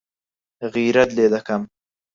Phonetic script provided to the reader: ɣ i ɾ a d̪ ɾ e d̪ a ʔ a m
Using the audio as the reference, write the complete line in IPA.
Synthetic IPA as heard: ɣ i ɾ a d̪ l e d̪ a k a m